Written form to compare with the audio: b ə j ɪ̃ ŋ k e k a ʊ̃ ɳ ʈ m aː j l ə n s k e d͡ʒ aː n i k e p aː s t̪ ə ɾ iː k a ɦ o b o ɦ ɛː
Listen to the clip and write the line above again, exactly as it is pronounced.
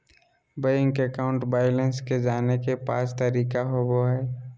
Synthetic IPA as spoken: b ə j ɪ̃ ŋ k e k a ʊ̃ ɳ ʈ b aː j l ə n s k e d͡ʒ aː n e k e p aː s t̪ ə ɾ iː k a ɦ o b o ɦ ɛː